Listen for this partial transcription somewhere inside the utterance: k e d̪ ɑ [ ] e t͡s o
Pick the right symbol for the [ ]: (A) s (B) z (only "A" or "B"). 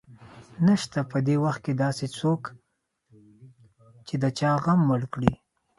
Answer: A